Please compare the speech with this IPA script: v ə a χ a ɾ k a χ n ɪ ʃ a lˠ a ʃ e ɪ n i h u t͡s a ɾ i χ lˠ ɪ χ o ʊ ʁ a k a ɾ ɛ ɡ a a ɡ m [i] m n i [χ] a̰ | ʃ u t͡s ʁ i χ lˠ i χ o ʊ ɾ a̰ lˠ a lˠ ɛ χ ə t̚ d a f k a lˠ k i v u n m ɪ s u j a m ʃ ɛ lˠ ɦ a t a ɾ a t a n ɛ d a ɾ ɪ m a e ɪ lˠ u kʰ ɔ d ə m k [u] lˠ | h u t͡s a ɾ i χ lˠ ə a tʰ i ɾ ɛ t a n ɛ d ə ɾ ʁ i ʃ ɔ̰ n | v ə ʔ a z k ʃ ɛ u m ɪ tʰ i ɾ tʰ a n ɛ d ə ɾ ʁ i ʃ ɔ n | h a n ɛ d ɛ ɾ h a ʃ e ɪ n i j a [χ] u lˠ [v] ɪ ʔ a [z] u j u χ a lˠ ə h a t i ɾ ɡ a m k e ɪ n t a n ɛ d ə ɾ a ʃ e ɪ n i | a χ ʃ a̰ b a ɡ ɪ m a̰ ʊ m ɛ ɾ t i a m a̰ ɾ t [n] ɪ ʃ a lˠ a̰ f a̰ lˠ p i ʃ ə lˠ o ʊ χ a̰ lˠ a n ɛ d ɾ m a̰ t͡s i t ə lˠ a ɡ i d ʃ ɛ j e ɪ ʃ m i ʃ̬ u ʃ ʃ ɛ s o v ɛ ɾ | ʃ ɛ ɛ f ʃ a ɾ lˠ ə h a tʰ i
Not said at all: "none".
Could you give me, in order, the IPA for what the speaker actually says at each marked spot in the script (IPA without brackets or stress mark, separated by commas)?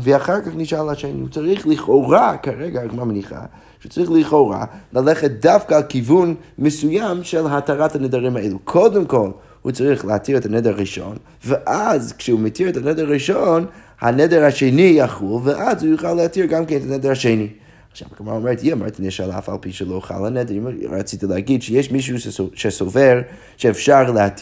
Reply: a, χ, ɔ, χ, v, z, n